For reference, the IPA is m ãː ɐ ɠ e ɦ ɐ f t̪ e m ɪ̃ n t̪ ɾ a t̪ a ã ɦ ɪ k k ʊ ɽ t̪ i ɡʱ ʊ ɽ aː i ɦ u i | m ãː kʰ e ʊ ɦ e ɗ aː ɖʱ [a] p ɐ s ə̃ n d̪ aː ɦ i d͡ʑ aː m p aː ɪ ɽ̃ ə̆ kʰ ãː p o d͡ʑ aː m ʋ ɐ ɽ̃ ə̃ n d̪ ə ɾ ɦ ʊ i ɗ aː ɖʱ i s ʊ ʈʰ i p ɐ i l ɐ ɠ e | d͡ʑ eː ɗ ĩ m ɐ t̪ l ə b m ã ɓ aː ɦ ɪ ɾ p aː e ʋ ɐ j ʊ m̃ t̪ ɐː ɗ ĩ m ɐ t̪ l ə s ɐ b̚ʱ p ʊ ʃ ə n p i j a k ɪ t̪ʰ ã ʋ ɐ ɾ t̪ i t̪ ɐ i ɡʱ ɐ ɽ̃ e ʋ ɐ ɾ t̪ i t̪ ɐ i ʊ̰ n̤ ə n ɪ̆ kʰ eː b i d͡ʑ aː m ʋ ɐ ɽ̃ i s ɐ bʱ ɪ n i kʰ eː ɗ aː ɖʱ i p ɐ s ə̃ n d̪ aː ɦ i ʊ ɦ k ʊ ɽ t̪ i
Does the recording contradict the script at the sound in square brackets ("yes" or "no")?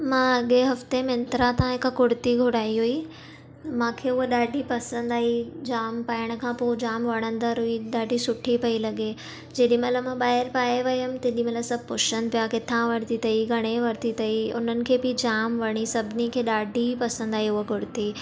yes